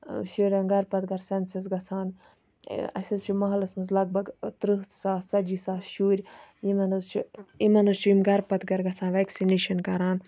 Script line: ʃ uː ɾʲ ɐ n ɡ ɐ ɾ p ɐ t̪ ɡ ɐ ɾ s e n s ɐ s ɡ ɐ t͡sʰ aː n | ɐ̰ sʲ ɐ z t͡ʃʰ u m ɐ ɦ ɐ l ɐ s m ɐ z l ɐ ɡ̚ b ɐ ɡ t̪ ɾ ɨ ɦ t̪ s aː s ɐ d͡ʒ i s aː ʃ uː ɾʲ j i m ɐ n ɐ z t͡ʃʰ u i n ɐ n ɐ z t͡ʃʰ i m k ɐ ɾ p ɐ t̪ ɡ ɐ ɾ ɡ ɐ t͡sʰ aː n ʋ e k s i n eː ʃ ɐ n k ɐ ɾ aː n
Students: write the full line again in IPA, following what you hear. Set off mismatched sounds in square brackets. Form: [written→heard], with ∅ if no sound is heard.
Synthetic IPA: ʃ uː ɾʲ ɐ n ɡ ɐ ɾ p ɐ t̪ ɡ ɐ ɾ s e n s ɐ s ɡ ɐ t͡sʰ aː n | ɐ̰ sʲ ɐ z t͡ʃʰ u m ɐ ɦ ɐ l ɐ s m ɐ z l ɐ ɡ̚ b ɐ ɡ t̪ ɾ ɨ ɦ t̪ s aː s ɐ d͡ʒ i s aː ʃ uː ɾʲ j i m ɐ n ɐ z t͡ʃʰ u i [n→m] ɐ n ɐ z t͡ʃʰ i m [k→ɡ] ɐ ɾ p ɐ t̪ ɡ ɐ ɾ ɡ ɐ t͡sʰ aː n ʋ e k s i n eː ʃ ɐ n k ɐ ɾ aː n